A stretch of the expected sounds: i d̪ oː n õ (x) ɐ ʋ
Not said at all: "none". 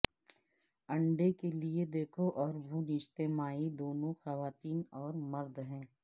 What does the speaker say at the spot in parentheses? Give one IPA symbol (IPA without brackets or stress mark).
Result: x